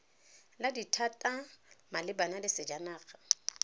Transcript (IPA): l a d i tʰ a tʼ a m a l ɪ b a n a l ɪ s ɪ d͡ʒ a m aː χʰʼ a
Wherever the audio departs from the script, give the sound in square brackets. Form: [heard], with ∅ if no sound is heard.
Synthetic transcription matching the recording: l a d i tʰ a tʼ a m a l ɪ b a n a l ɪ s ɪ d͡ʒ a [n] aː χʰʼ a